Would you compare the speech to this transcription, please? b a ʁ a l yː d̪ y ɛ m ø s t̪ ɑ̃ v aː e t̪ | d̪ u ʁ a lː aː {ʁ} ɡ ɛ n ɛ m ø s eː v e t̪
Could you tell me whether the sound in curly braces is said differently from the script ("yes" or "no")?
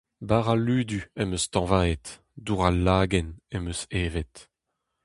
yes